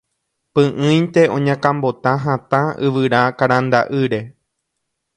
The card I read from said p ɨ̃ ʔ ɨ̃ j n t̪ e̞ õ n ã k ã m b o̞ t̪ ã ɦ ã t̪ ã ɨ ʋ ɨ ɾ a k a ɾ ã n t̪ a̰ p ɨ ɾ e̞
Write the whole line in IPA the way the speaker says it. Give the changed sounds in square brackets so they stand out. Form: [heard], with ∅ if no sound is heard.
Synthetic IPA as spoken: p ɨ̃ ʔ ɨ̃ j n t̪ e̞ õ [ɲ] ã k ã m b o̞ t̪ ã ɦ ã t̪ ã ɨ ʋ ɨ ɾ a k a ɾ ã n [d̪] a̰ [ʔ] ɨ ɾ e̞